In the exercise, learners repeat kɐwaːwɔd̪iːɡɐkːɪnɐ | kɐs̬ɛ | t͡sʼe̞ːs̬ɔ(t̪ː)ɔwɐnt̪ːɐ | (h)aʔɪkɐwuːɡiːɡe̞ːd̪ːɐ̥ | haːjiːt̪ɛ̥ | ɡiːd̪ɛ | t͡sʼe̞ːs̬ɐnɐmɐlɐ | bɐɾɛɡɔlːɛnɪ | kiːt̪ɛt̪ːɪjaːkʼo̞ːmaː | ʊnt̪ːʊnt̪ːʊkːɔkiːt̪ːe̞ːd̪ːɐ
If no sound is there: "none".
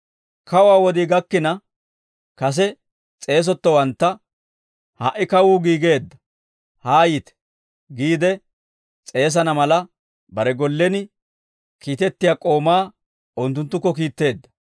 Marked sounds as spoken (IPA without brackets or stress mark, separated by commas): t̪ː, h